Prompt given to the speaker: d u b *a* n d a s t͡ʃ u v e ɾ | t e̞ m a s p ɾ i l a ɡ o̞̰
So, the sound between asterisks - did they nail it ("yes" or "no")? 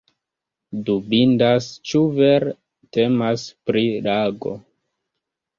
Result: no